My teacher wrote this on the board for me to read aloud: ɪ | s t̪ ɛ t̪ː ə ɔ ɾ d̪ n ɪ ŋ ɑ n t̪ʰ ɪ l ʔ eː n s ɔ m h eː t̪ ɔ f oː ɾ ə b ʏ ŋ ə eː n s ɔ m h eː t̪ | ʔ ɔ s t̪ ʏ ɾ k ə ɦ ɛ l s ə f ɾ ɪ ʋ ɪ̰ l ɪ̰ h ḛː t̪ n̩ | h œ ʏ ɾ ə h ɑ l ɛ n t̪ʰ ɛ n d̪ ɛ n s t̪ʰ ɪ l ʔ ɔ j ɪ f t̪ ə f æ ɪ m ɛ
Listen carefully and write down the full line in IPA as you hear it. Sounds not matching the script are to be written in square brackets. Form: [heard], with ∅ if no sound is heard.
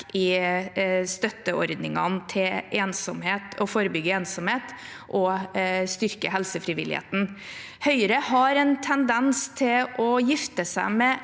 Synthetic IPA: ɪ | s t̪ [œ] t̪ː ə ɔ ɾ d̪ n ɪ ŋ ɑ n t̪ʰ ɪ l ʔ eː n s ɔ m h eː t̪ ɔ f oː ɾ ə b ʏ [ɡ] ə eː n s ɔ m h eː t̪ | ʔ ɔ s t̪ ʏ ɾ k ə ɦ ɛ l s ə f ɾ ɪ ʋ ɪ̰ l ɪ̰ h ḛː t̪ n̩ | h œ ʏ ɾ ə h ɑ [ɾ] ɛ n t̪ʰ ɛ n d̪ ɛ n s t̪ʰ ɪ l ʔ ɔ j ɪ f t̪ ə [s] æ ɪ m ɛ